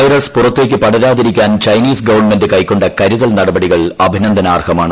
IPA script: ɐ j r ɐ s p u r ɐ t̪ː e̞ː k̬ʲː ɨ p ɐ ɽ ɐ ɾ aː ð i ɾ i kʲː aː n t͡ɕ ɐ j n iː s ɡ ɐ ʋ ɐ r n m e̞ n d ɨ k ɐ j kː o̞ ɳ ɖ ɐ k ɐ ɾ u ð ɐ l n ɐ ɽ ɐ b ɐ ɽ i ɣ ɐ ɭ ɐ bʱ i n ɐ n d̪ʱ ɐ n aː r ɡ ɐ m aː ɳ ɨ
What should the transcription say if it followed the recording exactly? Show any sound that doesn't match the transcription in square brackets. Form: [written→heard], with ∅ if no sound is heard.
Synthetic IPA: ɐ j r ɐ s p u r ɐ t̪ː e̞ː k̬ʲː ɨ p ɐ ɽ ɐ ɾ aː ð i ɾ i kʲː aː n t͡ɕ ɐ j n iː s ɡ ɐ ʋ ɐ r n m e̞ n d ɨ k ɐ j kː o̞ ɳ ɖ ɐ k ɐ ɾ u ð ɐ l n ɐ ɽ ɐ b ɐ ɽ i ɣ ɐ ɭ ɐ bʱ i n ɐ n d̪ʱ ɐ n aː r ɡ ɐ m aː ɳ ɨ

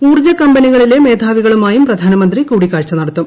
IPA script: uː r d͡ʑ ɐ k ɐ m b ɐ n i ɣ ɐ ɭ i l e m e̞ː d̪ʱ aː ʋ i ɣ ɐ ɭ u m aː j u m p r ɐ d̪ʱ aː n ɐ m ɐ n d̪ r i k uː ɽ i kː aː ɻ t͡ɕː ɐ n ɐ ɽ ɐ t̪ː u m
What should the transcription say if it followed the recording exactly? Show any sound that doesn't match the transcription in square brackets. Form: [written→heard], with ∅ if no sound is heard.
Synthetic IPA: uː r d͡ʑ ɐ k ɐ m b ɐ n i ɣ ɐ ɭ i l e m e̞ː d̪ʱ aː ʋ i ɣ ɐ ɭ u m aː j u m p r ɐ d̪ʱ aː n ɐ m ɐ n d̪ r i k uː ɽ i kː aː ɻ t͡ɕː ɐ n ɐ ɽ ɐ t̪ː u m

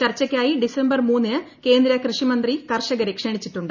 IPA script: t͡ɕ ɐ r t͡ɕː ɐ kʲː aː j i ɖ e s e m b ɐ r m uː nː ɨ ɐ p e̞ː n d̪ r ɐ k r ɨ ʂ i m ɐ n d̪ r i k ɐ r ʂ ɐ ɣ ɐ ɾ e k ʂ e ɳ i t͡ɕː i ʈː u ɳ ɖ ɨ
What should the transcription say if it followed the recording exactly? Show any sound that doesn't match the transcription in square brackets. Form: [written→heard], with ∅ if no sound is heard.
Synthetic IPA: t͡ɕ ɐ r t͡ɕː ɐ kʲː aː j i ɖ [e→i] s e m b ɐ r m uː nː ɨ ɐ [p→k] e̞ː n d̪ [r→ɾ] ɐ k r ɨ ʂ i m ɐ n d̪ r i k ɐ r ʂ ɐ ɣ ɐ ɾ e k ʂ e ɳ i t͡ɕː i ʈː u ɳ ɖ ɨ

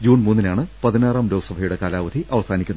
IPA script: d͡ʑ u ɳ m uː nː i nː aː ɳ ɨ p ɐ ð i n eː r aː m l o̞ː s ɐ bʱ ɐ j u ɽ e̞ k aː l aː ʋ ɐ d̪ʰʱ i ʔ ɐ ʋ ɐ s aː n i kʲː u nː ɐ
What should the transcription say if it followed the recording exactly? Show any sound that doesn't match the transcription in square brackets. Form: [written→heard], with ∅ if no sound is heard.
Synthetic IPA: d͡ʑ [u→uː] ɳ m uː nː i [nː→n] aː ɳ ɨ p ɐ ð i n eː r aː m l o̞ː s ɐ bʱ ɐ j u ɽ e̞ k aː l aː ʋ ɐ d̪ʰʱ i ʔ ɐ ʋ ɐ s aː n i kʲː u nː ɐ

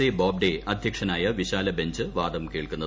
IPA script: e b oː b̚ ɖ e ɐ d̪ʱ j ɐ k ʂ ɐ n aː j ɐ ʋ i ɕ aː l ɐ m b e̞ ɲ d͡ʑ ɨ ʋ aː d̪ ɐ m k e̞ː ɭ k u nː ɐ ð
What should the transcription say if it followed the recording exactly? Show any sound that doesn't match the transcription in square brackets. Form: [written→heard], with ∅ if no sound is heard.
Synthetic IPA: e b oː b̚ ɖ e ɐ d̪ʱ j ɐ k ʂ ɐ n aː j ɐ ʋ i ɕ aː l ɐ [m→∅] b e̞ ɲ d͡ʑ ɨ ʋ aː d̪ ɐ m k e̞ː ɭ k u nː ɐ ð

